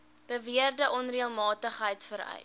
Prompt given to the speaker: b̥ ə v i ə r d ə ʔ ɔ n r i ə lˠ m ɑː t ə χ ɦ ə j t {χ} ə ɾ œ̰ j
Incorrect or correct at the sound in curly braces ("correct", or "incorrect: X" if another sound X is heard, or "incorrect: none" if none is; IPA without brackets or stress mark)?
incorrect: f